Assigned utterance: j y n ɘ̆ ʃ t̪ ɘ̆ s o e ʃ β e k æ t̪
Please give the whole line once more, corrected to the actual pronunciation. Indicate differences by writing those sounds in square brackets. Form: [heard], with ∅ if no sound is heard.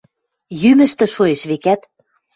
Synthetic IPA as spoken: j y [m] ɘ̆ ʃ t̪ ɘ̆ [ʃ] o e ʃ β e k æ t̪